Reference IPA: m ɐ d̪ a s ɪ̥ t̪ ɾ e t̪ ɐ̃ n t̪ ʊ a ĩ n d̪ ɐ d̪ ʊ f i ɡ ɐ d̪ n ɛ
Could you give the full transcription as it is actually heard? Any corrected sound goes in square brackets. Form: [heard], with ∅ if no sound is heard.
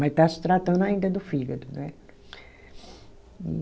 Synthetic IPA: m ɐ [t̪] a s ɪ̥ t̪ ɾ [a] t̪ ɐ̃ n [d̪] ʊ a ĩ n d̪ ɐ d̪ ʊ f i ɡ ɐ d̪ n ɛ